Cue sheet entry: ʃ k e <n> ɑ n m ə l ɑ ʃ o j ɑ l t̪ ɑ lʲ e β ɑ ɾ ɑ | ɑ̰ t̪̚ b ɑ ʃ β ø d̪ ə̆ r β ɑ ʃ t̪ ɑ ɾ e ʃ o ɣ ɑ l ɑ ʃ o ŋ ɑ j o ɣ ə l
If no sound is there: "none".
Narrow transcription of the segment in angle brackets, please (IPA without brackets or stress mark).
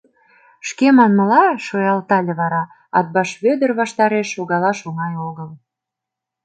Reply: m